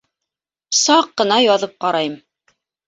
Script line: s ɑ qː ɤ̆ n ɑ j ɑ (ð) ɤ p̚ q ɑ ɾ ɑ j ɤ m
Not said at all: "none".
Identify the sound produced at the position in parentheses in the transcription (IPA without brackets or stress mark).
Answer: ð